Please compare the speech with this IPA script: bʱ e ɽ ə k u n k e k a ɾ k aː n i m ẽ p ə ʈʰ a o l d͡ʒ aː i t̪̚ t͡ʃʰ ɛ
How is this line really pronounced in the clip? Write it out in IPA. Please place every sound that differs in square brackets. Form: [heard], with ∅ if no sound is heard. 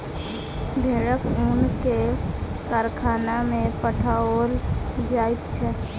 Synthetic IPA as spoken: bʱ e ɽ ə k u n k e k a ɾ [kʰ] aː n [a] m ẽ p ə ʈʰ a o l d͡ʒ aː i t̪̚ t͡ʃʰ ɛ